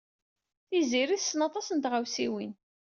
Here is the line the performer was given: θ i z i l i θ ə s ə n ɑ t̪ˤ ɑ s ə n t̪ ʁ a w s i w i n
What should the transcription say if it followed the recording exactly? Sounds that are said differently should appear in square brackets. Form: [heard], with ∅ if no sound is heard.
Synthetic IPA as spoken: θ i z i [ɾ] i θ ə s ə n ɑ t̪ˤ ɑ s ə n t̪ ʁ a w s i w i n